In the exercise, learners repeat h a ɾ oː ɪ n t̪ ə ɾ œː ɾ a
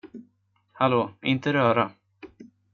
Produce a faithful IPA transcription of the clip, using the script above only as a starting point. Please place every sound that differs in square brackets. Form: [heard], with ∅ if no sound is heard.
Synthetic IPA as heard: h a [l] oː ɪ n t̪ ə ɾ œː ɾ a